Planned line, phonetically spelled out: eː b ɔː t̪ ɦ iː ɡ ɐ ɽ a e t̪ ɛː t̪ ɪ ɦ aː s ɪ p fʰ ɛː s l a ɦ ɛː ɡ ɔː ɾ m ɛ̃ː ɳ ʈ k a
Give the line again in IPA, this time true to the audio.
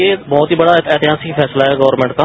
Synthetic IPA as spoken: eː b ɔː t̪ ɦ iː b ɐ ɽ a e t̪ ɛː t̪ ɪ ɦ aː s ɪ k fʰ ɛː s l a ɦ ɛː ɡ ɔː ɾ m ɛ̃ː ɳ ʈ k a

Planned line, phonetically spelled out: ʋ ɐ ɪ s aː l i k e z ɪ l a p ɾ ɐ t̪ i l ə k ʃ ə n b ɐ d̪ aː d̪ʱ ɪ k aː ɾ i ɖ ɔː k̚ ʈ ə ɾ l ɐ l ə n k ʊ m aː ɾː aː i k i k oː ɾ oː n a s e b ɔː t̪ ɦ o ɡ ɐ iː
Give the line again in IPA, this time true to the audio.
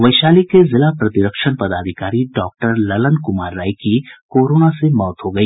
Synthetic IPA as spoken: ʋ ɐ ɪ ʃ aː l i k e z ɪ l a p ɾ ɐ t̪ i ɾ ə k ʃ ə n p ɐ d̪ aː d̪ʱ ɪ k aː ɾ i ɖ ɔː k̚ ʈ ə ɾ l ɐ l ə n k ʊ m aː ɾː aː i k i k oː ɾ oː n a s e m ɔː t̪ ɦ o ɡ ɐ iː

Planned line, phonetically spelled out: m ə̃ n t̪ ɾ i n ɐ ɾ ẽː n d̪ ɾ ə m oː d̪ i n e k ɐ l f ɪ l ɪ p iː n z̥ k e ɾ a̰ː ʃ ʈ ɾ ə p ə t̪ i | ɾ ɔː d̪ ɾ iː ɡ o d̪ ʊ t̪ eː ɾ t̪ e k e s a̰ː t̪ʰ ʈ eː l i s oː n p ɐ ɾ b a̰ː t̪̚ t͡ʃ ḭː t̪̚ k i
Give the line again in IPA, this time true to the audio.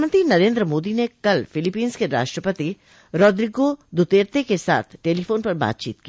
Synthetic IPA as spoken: m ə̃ n t̪ ɾ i n ɐ ɾ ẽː n d̪ ɾ ə m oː d̪ i n e k ɐ l f ɪ l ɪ p iː n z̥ k e ɾ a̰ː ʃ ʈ ɾ ə p ə t̪ i | ɾ ɔː d̪ ɾ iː ɡ o d̪ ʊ t̪ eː ɾ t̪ e k e s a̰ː t̪ʰ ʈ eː l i f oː n p ɐ ɾ b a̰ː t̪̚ t͡ʃ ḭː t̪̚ k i

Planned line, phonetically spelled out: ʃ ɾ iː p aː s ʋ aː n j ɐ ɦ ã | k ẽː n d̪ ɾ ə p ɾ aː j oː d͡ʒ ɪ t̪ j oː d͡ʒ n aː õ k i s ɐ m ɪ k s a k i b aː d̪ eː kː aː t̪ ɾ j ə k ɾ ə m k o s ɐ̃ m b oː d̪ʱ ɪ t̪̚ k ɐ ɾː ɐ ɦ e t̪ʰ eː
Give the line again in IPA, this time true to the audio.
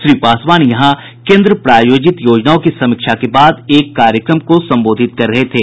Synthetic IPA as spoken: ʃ ɾ iː p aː s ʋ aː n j ɐ ɦ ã | k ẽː n d̪ ɾ ə p ɾ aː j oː d͡ʒ ɪ t̪ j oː d͡ʒ n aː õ k i s ɐ m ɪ k ʃ a k e b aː d̪ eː kː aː ɾ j ə k ɾ ə m k o s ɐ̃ m b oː d̪ʱ ɪ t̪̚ k ɐ ɾː ɐ ɦ e t̪ʰ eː

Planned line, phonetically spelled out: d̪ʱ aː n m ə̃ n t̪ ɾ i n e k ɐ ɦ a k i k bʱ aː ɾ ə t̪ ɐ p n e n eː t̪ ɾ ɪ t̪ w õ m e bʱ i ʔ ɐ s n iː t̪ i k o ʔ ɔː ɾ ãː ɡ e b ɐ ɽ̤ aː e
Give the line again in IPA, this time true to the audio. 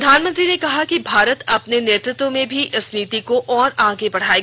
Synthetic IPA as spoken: d̪ʱ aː n m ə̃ n t̪ ɾ i n e k ɐ ɦ a k i bʱ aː ɾ ə t̪ ɐ p n e n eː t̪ ɾ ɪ t̪ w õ m ẽ bʱ i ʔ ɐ s n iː t̪ i k o ʔ ɔː ɾ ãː ɡ e b ɐ ɽ̤ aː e

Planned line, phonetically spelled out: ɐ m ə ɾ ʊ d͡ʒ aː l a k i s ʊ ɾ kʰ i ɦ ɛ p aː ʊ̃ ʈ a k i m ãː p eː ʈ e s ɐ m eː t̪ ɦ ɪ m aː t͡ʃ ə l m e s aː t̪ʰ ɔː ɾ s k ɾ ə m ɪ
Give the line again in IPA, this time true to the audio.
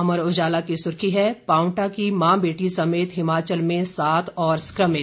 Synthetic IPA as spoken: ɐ m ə ɾ ʊ d͡ʒ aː l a k i s ʊ ɾ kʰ i ɦ ɛ p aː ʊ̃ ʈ a k i m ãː b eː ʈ i s ɐ m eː t̪ ɦ ɪ m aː t͡ʃ ə l m ẽ s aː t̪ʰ ɔː ɾ s k ɾ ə m ɪ

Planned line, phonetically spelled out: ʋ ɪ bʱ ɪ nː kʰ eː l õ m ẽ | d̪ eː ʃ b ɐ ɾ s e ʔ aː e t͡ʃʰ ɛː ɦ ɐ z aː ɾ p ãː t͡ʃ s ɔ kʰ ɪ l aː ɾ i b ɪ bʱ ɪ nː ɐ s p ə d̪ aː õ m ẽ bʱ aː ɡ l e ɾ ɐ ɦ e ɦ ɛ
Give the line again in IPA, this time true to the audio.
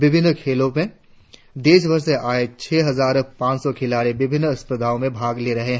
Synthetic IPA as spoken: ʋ ɪ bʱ ɪ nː kʰ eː l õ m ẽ | d̪ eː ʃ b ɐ ɾ s e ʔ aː e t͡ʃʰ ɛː ɦ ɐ z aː ɾ p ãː t͡ʃ s ɔ kʰ ɪ l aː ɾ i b ɪ bʱ ɪ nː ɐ s p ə d̪ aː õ m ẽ bʱ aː ɡ l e ɾ ɐ ɦ e ɦ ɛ

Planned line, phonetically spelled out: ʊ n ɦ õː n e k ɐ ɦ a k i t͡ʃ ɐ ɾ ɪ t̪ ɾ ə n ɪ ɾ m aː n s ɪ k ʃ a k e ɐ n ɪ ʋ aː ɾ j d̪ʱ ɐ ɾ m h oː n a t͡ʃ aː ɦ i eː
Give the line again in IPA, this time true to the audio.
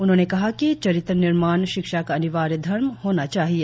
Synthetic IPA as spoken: ʊ n ɦ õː n e k ɐ ɦ a k i t͡ʃ ɐ ɾ ɪ t̪ ɾ ə n ɪ ɾ m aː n ʃ ɪ k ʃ a k a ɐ n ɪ ʋ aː ɾ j d̪ʱ ɐ ɾ m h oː n a t͡ʃ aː ɦ i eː

